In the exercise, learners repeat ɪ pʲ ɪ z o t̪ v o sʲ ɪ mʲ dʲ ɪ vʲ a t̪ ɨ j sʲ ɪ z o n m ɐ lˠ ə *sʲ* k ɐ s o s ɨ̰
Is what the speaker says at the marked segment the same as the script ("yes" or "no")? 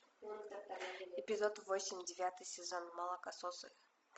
no